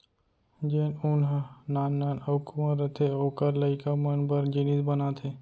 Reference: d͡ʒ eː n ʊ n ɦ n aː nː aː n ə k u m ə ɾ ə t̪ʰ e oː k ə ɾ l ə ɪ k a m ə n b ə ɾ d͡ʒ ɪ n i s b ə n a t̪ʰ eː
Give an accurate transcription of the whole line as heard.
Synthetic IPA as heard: d͡ʒ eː n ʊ n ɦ n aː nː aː n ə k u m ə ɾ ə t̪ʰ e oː k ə ɾ l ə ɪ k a m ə n b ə ɾ d͡ʒ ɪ n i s b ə n a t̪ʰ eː